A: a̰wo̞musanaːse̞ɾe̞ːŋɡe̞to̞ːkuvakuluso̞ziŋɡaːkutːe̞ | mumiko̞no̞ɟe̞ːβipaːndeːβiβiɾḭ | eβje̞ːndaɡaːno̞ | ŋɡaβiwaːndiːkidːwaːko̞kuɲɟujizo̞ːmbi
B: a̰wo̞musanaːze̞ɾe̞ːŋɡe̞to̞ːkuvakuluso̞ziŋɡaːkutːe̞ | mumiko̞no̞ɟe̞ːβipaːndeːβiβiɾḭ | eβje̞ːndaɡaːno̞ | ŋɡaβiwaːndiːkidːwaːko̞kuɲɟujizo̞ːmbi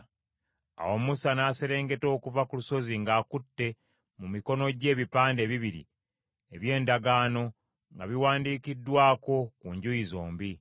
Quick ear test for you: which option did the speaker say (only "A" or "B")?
A